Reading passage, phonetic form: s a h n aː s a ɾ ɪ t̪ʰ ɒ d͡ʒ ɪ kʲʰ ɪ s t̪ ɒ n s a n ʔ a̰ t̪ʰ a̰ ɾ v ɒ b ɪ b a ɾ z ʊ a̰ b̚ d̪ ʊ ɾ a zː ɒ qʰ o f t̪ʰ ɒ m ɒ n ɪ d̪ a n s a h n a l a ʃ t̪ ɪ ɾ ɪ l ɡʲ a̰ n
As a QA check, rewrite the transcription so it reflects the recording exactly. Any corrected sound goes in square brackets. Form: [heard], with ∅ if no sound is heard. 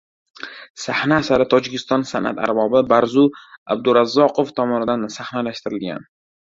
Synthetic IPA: s a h n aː s a ɾ ɪ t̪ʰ ɒ d͡ʒ ɪ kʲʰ ɪ s t̪ ɒ n s a n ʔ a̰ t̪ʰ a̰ ɾ [b] ɒ b ɪ b a ɾ z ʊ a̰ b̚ d̪ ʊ ɾ a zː ɒ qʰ o f t̪ʰ ɒ m ɒ n ɪ d̪ a n s a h n a l a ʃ t̪ ɪ ɾ ɪ l ɡʲ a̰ n